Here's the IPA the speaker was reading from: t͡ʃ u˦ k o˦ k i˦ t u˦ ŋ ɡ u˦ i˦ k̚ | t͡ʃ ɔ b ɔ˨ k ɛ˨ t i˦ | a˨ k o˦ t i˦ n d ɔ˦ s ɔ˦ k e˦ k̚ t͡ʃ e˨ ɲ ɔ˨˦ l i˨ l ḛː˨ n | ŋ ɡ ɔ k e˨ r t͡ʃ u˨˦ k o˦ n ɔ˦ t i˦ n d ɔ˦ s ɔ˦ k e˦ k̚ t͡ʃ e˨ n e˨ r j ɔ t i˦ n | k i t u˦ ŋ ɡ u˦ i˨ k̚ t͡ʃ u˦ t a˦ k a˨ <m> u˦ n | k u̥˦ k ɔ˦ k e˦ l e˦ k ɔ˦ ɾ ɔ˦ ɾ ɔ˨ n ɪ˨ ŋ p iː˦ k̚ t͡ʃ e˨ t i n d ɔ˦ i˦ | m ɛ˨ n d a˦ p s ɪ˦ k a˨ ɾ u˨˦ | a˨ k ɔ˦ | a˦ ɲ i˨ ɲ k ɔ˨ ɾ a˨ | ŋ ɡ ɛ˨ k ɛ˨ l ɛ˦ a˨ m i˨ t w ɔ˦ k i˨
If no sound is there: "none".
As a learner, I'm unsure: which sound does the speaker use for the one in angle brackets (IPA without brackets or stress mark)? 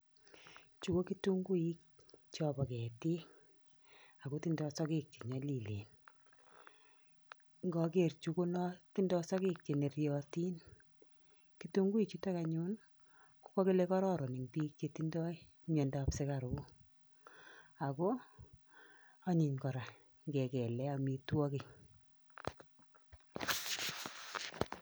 ɲ